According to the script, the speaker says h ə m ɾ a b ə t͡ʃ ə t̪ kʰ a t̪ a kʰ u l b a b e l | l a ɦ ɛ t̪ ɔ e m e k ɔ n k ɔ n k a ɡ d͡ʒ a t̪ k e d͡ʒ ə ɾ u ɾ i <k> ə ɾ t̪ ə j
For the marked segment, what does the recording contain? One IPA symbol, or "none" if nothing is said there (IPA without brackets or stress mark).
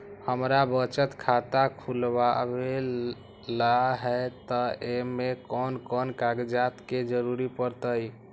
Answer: p